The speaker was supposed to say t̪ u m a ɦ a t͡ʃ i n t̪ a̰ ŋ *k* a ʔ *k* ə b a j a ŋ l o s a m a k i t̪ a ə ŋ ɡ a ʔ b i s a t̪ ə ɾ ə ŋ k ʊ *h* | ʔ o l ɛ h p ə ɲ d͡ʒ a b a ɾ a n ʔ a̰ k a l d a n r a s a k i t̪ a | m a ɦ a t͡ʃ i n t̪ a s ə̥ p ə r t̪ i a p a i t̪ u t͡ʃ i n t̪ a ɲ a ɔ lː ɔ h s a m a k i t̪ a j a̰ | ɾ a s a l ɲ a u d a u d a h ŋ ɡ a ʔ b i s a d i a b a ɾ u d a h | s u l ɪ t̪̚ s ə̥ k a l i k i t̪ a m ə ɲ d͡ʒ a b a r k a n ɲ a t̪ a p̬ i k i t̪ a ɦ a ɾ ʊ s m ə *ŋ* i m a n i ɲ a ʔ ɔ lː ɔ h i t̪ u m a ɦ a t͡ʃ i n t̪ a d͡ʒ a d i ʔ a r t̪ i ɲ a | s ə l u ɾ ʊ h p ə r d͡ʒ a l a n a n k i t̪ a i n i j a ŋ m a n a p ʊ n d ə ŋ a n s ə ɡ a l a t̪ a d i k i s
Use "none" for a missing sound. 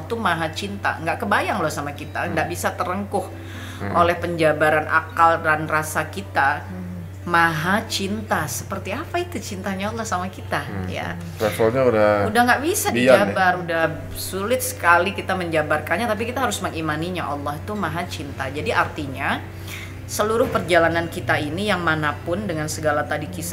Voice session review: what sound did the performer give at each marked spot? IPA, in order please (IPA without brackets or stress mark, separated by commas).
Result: ɡ, k, h, ŋ